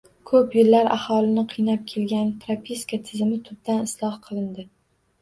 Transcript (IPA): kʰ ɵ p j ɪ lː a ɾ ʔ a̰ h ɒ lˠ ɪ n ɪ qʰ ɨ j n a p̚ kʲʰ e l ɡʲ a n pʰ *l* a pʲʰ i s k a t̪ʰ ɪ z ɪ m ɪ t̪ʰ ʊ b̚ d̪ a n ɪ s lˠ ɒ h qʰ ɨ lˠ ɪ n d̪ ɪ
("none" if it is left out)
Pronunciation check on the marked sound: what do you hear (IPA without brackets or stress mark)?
ɾ